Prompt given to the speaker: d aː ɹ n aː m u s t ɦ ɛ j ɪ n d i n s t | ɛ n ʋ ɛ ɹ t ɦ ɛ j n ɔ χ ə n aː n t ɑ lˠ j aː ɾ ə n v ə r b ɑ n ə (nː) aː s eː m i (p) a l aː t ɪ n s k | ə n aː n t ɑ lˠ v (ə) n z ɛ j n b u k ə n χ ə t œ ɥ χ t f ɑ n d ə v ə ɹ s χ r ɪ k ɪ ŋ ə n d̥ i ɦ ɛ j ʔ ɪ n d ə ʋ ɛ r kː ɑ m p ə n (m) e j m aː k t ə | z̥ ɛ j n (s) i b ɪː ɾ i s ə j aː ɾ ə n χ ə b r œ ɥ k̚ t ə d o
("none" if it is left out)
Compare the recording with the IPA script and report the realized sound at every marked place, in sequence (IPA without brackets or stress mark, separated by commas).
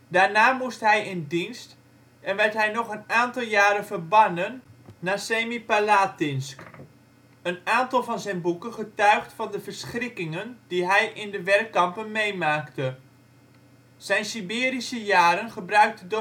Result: nː, p, ɑ, m, s